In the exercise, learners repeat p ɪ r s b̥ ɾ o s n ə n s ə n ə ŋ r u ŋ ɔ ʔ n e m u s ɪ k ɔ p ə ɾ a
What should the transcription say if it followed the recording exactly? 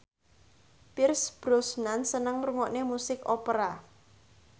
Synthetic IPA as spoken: p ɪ r s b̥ ɾ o s n a n s ə n ə ŋ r u ŋ ɔ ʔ n e m u s ɪ k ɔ p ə ɾ a